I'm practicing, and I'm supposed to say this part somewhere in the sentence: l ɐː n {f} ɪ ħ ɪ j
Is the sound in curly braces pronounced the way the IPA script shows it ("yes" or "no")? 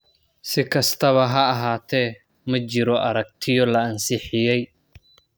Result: no